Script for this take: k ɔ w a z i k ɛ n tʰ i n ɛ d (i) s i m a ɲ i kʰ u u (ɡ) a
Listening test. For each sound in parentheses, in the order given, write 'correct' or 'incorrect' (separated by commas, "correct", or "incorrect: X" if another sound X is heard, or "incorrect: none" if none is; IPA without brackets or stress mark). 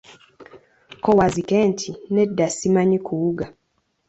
incorrect: a, correct